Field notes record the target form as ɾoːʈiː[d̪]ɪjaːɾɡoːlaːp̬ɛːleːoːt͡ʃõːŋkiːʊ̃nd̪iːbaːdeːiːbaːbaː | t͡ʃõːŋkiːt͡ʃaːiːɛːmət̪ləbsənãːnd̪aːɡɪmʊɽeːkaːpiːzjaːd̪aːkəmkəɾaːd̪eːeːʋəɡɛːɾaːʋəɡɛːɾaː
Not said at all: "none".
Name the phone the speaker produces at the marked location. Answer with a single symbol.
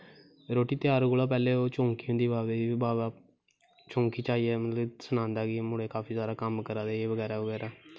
t̪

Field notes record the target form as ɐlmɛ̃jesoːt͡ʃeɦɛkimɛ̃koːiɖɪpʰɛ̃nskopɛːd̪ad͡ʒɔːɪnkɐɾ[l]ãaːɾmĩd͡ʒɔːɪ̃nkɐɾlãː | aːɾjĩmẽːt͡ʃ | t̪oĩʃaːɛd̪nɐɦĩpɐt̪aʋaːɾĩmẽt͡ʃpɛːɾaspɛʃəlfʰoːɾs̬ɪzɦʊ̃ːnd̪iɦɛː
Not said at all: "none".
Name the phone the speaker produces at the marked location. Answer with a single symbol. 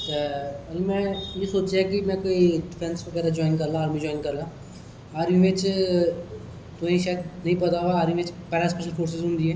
l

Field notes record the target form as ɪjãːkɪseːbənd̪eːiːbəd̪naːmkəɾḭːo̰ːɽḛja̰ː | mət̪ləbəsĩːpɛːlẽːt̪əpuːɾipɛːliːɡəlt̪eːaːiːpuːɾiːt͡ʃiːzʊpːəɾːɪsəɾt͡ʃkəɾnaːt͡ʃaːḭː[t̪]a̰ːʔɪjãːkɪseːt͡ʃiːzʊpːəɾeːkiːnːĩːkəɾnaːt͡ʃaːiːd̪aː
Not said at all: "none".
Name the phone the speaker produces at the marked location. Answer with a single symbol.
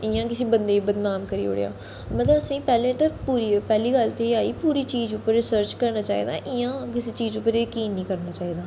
d̪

